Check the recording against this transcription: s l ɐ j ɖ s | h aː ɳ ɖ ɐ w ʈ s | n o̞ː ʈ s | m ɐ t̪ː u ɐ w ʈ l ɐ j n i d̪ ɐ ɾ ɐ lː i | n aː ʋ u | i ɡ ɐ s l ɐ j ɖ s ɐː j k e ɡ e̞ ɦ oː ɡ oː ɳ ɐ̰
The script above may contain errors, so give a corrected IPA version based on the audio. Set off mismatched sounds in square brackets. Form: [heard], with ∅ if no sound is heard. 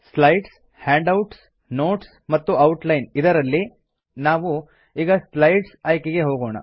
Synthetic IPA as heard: s l ɐ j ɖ s | h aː ɳ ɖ ɐ w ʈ s | n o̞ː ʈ s | m ɐ t̪ː u ɐ w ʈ l ɐ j n i d̪ ɐ ɾ ɐ lː i | n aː ʋ u | [iː] ɡ ɐ s l ɐ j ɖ s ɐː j k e ɡ e̞ ɦ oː ɡ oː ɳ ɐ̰